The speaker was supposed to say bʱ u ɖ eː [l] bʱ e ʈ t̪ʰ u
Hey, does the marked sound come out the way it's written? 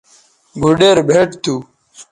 no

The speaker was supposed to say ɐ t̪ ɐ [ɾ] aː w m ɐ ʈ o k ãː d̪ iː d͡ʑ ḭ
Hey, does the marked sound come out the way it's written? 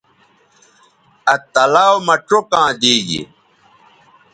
no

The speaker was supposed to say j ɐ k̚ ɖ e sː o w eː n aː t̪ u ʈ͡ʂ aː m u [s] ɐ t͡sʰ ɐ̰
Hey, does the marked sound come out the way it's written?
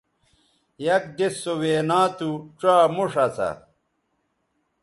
no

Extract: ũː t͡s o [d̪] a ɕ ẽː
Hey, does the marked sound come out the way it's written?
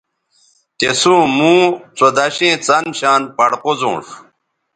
yes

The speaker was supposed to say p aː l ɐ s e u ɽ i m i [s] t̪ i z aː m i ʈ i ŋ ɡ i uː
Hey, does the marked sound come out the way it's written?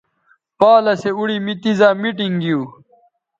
no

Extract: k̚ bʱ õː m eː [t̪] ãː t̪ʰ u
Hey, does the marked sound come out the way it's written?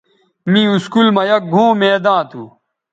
no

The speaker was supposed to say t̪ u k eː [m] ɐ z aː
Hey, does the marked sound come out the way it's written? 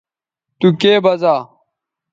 no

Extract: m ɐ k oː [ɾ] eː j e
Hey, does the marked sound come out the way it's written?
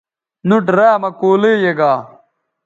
no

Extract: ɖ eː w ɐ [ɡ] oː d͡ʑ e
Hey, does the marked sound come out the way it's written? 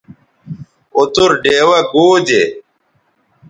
yes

